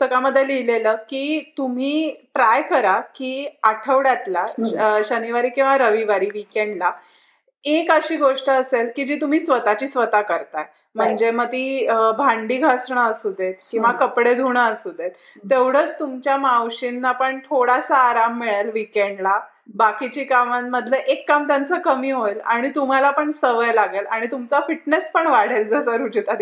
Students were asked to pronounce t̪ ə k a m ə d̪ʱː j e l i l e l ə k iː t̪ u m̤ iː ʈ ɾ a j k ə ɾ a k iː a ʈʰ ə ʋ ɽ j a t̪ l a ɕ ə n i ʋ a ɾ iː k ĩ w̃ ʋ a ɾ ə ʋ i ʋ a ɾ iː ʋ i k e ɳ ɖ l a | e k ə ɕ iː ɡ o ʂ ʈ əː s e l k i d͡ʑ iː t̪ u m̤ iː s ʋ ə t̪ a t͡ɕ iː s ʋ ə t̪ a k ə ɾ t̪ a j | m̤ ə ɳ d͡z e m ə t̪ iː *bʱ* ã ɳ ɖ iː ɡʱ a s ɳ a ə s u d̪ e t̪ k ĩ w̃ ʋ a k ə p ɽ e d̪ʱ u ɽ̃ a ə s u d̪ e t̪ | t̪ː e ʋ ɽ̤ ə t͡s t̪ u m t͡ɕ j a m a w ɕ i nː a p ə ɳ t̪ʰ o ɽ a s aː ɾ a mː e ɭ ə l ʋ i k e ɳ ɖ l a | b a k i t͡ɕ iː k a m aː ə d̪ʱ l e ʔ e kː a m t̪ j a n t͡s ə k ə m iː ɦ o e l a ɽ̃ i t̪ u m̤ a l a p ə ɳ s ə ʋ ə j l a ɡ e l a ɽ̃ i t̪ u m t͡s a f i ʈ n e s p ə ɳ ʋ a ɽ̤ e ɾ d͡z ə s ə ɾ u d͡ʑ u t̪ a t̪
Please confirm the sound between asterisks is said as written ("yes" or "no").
yes